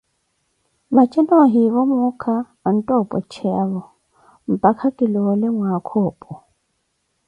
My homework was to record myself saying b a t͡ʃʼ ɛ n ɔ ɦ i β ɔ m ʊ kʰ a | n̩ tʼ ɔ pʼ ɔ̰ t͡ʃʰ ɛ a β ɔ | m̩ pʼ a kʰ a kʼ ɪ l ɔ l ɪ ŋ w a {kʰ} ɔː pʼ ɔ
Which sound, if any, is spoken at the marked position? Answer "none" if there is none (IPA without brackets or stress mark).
kʰ